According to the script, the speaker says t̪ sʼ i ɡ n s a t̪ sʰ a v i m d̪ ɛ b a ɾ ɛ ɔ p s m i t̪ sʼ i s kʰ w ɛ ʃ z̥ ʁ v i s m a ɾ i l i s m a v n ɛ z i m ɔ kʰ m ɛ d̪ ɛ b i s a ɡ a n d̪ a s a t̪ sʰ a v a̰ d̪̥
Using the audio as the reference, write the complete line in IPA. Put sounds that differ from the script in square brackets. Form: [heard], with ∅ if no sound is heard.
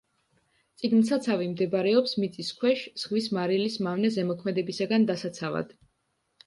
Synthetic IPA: t̪ sʼ i ɡ n s a t̪ sʰ a v i m d̪ ɛ b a ɾ ɛ ɔ p s m i t̪ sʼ i s kʰ w ɛ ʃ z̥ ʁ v i s m a ɾ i l i s m a v n ɛ z [ɛ] m ɔ kʰ m ɛ d̪ ɛ b i s a ɡ a n d̪ a s a t̪ sʰ a v a̰ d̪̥